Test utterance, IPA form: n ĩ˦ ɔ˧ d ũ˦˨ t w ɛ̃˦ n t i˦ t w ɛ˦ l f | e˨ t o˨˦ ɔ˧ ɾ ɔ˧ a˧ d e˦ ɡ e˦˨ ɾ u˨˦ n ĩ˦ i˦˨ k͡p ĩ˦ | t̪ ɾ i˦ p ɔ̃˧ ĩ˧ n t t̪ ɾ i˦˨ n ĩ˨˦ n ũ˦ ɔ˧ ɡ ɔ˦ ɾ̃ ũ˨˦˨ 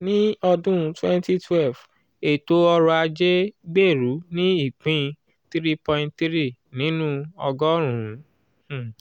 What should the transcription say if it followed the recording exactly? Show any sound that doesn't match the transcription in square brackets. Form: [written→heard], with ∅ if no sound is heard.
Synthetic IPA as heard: n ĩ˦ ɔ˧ d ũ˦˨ t w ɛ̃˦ n t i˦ t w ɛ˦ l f | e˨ t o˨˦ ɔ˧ ɾ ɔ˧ a˧ [d→d͡ʒ] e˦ [ɡ→ɡ͡b] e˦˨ ɾ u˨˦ n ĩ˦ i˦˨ k͡p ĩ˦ | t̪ ɾ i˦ p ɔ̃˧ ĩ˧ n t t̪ ɾ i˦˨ n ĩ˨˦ n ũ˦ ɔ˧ ɡ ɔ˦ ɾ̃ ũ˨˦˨